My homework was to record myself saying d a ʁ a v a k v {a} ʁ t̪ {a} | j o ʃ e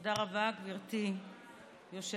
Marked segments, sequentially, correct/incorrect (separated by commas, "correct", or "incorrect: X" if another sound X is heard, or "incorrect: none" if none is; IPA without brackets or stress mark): incorrect: i, incorrect: i